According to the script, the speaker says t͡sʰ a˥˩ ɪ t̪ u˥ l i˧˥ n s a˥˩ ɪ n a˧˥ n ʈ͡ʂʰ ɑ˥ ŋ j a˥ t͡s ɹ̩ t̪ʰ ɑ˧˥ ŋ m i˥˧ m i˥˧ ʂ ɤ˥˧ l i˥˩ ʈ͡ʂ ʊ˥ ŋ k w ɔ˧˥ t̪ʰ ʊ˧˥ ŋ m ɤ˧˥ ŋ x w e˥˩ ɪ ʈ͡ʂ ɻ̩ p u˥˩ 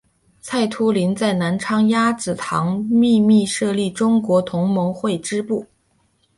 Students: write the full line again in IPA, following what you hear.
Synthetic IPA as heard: t͡sʰ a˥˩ ɪ t̪ʰ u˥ l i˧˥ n t͡s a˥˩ ɪ n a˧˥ n ʈ͡ʂʰ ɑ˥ ŋ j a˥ t͡s ɹ̩ t̪ʰ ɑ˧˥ ŋ m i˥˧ m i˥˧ ʂ ɤ˥˧ l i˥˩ ʈ͡ʂ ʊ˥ ŋ k w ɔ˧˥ t̪ʰ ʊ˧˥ ŋ m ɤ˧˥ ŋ x w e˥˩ ɪ ʈ͡ʂ ɻ̩ p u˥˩